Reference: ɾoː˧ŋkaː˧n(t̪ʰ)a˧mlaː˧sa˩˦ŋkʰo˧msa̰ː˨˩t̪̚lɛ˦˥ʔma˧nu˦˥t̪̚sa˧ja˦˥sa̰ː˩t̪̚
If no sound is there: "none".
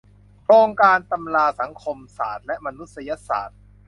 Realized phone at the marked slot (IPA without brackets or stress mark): t̪